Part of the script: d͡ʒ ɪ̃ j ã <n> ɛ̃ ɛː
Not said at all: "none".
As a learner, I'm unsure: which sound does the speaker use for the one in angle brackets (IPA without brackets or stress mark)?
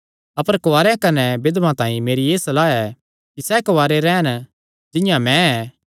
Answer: m